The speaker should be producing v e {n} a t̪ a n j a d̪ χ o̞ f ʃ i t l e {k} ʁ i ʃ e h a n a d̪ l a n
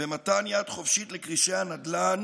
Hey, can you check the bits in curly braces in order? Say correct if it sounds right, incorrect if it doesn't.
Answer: incorrect: m, correct

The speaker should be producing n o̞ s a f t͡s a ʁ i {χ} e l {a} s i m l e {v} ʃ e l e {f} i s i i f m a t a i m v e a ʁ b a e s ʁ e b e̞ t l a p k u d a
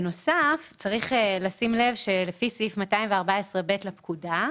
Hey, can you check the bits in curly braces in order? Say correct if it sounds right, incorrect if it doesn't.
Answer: correct, correct, correct, correct

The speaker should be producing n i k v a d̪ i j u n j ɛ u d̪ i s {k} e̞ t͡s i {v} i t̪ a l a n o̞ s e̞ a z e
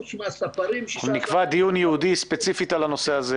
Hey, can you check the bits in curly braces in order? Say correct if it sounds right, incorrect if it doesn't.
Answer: incorrect: p, incorrect: f

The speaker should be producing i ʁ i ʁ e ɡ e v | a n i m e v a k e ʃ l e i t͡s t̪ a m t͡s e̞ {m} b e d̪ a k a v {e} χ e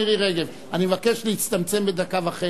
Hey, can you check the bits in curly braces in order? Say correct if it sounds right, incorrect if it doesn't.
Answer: correct, incorrect: a

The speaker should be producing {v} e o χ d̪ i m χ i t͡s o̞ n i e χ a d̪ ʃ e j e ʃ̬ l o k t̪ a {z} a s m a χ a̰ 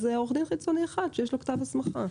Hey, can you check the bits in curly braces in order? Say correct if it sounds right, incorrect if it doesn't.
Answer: incorrect: z, incorrect: v

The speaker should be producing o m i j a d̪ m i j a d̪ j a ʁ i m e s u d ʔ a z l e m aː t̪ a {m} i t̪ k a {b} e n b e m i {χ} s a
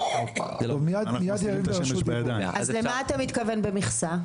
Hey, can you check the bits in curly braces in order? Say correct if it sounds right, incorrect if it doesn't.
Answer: correct, incorrect: v, correct

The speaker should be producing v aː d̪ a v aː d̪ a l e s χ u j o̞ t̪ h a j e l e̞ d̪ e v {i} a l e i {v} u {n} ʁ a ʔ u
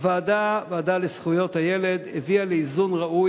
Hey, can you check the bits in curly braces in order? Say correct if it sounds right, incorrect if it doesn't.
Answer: correct, incorrect: z, correct

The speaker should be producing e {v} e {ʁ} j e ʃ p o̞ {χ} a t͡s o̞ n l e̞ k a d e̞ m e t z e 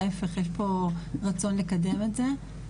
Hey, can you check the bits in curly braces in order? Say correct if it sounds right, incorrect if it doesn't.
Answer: incorrect: f, incorrect: χ, incorrect: ʁ

